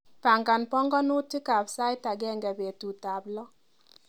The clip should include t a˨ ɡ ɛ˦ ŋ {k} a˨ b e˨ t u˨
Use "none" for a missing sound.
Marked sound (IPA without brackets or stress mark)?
ɡ